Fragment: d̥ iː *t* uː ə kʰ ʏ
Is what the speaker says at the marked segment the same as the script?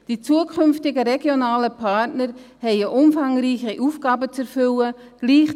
no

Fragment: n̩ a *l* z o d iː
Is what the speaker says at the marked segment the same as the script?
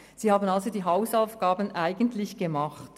yes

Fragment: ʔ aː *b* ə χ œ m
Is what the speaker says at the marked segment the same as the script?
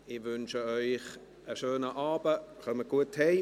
yes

